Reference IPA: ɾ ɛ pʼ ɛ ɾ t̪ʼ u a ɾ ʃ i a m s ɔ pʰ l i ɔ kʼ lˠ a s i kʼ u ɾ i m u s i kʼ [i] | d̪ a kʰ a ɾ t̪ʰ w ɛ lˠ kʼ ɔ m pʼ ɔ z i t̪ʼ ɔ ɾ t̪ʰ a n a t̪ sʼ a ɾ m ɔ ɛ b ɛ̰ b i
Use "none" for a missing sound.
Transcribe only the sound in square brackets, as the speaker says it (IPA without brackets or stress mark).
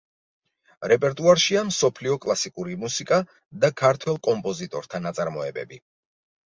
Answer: a